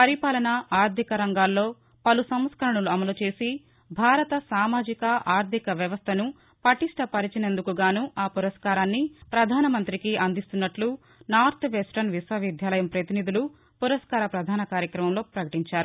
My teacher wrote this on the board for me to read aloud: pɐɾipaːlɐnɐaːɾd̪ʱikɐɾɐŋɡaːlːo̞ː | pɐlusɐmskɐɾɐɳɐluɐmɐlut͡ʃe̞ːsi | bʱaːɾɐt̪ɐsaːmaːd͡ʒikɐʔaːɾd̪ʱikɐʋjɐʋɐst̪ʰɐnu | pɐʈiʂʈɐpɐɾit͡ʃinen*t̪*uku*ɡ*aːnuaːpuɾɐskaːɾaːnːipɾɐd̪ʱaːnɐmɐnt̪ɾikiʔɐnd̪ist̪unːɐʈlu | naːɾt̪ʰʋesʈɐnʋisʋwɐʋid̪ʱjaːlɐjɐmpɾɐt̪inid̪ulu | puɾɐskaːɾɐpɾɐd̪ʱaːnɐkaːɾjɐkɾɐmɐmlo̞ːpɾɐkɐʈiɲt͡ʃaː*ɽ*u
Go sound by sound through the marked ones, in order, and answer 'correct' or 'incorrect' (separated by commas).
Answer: incorrect, correct, incorrect